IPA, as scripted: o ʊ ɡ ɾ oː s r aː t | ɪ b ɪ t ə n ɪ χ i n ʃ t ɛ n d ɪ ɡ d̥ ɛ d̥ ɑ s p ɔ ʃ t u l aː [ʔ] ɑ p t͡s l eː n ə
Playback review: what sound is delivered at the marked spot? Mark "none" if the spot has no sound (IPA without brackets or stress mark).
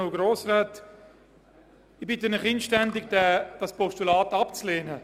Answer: t